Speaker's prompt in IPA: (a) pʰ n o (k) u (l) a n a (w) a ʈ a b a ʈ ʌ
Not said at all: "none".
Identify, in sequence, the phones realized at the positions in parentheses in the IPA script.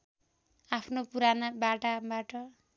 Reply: a, p, ɾ, b

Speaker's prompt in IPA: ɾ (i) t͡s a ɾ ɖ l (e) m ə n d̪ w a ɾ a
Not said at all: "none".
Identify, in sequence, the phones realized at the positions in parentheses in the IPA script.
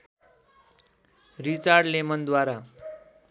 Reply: i, e

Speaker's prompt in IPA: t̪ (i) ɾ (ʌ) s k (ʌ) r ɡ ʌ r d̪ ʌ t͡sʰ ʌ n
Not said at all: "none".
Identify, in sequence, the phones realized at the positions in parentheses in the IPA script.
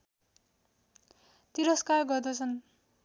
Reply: i, ʌ, a

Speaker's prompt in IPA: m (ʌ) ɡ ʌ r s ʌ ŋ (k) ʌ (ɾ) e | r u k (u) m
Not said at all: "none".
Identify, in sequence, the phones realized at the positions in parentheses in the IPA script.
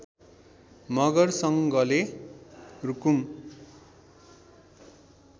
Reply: ʌ, ɡ, l, u

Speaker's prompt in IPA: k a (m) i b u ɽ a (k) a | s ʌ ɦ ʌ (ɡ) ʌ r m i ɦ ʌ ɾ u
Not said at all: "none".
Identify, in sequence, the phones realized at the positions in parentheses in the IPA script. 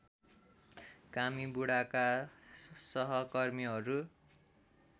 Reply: m, k, k

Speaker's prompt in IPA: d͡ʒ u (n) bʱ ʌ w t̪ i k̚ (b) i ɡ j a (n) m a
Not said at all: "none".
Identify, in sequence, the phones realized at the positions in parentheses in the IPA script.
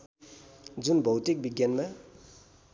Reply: n, b, n

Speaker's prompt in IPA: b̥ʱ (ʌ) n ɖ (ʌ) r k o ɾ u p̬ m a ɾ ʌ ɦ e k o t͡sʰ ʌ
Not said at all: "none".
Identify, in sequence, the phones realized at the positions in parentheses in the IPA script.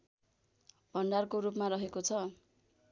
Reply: ʌ, a

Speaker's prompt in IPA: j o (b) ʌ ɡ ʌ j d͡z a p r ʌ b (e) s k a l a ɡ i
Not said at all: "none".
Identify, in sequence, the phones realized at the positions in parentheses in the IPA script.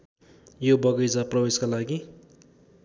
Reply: b, e

